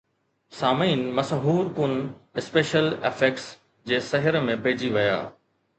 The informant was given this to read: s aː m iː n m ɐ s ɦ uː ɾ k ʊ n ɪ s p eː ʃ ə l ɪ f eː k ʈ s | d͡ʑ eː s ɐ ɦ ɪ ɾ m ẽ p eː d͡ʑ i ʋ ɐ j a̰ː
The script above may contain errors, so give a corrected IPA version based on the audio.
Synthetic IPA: s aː m iː n m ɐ s ɦ uː ɾ k ʊ n ɪ s p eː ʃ ə l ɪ f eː k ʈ s | d͡ʑ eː s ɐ ɦ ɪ ɾ m ẽ p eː d͡ʑ i ʋ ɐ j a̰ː